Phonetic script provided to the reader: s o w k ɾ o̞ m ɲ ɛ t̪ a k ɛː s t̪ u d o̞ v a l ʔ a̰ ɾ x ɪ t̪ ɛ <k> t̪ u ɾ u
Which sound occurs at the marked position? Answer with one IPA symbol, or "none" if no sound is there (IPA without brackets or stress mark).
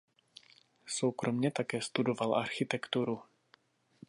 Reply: k